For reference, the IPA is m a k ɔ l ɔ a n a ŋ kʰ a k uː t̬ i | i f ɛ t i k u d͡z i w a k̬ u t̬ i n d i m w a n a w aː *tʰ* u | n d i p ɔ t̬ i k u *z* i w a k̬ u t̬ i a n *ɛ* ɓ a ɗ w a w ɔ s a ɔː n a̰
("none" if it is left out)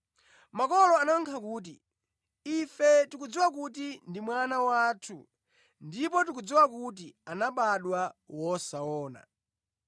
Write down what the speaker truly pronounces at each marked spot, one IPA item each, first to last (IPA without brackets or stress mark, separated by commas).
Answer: tʰ, d͡z, a